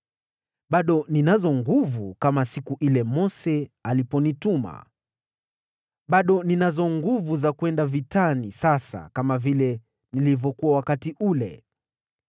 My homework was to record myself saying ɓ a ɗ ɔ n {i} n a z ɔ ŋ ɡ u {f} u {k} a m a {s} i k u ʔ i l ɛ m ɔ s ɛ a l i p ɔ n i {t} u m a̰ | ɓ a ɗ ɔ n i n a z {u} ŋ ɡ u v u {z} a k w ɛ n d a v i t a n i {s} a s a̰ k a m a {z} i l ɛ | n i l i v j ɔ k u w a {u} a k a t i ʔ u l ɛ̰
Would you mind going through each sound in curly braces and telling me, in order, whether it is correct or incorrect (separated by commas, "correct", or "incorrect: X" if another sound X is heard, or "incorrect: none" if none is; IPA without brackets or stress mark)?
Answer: correct, incorrect: v, correct, correct, correct, incorrect: ɔ, correct, correct, incorrect: v, incorrect: w